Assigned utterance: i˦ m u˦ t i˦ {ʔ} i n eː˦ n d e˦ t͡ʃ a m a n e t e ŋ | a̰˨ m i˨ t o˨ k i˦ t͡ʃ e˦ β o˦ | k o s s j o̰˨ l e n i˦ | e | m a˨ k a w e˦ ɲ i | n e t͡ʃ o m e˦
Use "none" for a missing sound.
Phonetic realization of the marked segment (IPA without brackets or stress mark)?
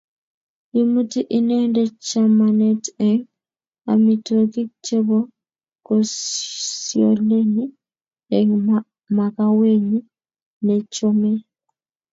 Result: ʔ